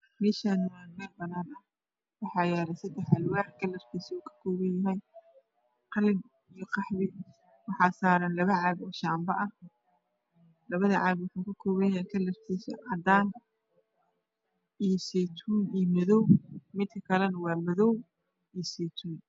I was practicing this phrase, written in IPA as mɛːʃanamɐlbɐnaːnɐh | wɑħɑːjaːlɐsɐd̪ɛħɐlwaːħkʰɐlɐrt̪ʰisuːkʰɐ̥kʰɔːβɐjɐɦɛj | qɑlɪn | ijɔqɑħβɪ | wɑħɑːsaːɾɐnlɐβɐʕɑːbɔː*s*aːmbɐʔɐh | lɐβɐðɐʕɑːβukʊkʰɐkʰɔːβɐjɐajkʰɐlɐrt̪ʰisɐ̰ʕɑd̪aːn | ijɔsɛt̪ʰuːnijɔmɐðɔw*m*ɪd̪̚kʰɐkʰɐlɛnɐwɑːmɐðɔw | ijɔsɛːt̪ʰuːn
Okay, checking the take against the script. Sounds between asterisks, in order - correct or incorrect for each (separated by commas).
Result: incorrect, correct